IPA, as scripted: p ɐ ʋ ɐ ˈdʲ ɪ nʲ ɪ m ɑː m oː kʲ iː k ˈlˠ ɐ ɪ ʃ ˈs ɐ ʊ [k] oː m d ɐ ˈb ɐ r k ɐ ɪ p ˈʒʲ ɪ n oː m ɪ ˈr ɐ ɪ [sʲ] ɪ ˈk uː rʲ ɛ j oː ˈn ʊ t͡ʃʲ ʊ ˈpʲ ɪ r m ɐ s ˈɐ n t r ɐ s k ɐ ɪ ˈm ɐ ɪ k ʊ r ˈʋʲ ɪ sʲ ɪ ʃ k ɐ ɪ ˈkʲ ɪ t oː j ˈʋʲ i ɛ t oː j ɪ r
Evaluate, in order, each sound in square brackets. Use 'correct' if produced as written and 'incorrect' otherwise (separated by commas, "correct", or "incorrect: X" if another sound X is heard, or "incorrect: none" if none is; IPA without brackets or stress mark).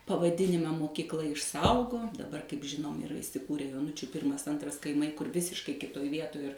incorrect: ɡ, correct